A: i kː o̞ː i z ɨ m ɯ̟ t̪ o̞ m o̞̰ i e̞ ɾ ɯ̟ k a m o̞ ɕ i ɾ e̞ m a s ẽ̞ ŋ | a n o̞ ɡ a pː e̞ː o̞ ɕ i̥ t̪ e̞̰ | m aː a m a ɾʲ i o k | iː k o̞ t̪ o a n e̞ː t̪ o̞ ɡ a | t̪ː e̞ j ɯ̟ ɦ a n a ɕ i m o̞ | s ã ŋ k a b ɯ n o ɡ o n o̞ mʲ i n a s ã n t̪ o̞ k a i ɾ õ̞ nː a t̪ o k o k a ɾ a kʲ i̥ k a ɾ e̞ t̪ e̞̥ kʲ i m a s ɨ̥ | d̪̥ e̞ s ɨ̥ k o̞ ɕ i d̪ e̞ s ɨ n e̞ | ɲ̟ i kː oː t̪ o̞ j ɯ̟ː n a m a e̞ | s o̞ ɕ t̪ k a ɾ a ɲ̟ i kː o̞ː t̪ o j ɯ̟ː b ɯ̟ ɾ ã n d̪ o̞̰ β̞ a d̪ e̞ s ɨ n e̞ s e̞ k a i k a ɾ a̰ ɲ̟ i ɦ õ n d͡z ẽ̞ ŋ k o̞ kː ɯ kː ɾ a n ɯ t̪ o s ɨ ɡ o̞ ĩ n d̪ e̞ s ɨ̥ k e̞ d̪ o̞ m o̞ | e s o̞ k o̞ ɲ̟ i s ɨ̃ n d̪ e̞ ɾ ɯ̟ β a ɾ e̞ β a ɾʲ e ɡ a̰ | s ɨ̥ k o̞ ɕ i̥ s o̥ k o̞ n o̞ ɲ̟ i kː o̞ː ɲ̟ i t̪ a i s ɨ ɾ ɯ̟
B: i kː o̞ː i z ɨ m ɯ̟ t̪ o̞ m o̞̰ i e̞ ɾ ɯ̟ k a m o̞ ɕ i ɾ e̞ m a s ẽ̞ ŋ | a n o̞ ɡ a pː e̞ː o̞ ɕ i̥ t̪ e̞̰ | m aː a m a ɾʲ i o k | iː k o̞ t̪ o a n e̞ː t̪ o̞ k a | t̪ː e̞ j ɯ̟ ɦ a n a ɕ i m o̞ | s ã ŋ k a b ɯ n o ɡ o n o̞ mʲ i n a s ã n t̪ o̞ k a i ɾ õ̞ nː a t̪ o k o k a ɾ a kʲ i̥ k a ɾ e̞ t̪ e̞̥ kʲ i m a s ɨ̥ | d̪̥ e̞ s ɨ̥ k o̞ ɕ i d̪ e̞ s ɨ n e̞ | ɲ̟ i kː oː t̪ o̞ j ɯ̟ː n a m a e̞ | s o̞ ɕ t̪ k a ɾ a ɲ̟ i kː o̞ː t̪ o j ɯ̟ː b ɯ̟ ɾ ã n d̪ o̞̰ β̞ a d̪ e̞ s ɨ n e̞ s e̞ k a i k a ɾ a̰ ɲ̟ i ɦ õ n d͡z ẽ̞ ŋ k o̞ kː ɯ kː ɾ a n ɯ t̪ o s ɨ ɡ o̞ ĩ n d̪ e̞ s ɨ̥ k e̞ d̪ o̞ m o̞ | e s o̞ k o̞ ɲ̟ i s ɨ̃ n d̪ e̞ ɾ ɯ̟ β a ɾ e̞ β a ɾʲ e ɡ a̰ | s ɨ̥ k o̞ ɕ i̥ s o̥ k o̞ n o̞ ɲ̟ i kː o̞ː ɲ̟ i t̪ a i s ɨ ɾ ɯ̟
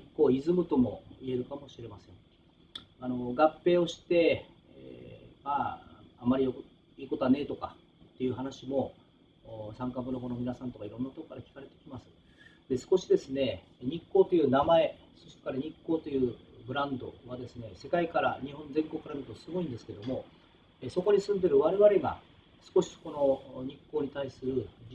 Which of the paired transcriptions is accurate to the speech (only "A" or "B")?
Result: B